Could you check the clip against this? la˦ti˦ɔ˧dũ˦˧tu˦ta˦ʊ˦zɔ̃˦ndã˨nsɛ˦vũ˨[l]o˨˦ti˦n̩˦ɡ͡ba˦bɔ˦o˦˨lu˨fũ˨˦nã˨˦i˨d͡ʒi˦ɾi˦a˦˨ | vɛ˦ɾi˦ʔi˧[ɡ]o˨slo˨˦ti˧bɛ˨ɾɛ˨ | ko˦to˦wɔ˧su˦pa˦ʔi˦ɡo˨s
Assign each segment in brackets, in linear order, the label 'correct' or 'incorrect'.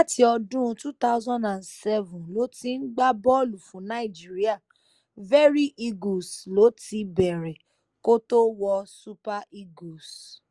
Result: correct, correct

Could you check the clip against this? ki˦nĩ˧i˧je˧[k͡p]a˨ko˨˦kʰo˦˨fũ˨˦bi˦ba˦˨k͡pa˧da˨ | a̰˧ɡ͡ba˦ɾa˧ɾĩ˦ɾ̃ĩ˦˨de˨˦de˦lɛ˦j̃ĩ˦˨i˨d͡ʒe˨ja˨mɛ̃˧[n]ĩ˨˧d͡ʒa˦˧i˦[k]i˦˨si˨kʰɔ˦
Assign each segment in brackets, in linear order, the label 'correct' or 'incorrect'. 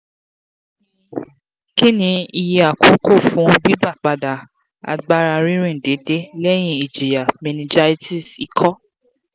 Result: incorrect, correct, incorrect

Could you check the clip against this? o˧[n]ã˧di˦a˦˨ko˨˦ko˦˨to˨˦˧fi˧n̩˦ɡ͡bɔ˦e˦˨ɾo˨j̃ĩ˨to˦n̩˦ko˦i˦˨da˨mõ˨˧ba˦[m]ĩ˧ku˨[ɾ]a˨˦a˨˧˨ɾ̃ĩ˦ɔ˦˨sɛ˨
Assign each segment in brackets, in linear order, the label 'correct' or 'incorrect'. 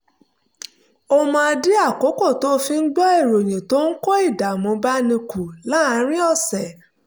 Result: incorrect, incorrect, incorrect

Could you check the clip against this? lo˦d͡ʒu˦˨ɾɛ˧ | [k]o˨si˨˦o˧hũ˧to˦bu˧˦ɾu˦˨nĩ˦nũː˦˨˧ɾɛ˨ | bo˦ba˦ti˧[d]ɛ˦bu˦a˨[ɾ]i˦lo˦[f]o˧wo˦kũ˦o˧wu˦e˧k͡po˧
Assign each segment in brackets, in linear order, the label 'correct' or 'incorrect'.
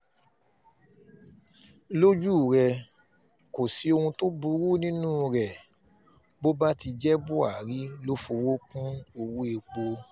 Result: correct, incorrect, correct, correct

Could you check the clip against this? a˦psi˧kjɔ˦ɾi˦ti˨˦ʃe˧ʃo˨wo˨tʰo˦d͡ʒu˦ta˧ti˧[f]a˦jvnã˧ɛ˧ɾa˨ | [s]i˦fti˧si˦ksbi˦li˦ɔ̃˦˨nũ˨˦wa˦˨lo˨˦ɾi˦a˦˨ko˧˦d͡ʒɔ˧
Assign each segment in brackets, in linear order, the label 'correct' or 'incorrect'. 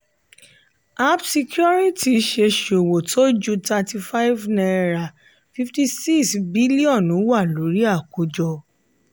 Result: correct, incorrect

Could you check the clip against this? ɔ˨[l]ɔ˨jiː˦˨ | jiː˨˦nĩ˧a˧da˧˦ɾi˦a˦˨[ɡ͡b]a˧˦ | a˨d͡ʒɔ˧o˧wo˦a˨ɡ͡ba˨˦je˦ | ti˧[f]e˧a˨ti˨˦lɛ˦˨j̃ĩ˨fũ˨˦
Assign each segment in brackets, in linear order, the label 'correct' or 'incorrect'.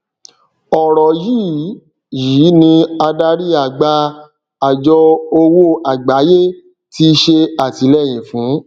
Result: incorrect, correct, incorrect

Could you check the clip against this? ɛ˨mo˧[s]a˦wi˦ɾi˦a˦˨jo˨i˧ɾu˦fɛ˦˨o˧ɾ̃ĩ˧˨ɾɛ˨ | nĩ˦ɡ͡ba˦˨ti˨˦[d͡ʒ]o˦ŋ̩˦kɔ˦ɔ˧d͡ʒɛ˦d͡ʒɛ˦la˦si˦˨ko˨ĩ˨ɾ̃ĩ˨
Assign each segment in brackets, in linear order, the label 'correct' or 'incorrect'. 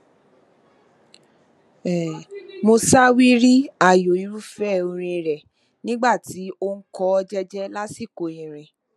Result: correct, incorrect

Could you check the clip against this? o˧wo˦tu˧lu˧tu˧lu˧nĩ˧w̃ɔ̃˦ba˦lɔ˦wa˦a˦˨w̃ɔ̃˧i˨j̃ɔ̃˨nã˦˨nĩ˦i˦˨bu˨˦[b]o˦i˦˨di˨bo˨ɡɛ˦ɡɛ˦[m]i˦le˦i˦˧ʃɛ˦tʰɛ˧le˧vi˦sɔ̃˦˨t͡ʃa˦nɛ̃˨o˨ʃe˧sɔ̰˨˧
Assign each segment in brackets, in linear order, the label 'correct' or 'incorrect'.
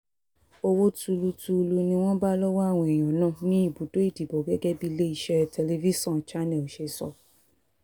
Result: incorrect, incorrect

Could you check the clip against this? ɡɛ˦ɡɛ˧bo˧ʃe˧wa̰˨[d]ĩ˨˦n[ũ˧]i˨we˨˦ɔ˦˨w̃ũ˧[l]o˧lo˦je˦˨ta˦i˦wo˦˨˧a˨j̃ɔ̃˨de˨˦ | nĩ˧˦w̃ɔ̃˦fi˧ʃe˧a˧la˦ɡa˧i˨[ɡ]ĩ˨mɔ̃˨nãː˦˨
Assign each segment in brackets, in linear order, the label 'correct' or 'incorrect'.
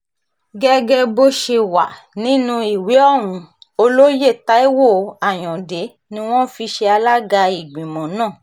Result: incorrect, correct, incorrect, incorrect

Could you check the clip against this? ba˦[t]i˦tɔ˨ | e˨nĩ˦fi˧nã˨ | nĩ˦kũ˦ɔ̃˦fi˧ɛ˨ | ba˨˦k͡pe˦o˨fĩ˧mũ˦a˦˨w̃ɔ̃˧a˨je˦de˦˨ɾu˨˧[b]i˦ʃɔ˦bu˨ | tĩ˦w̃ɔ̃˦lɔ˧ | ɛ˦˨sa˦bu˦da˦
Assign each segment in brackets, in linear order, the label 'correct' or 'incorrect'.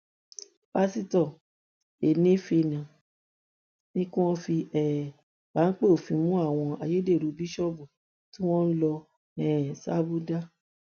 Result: incorrect, correct

